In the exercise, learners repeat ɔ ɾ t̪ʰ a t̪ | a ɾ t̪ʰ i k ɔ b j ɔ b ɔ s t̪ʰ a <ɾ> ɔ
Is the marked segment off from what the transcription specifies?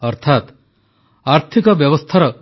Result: no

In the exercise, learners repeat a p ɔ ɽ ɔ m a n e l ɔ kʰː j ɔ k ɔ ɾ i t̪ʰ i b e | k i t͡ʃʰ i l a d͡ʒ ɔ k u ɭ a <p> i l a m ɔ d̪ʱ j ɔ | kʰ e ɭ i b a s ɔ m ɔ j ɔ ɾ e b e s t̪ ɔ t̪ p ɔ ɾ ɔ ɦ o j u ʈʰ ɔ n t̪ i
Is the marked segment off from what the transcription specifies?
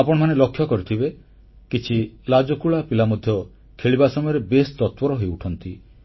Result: no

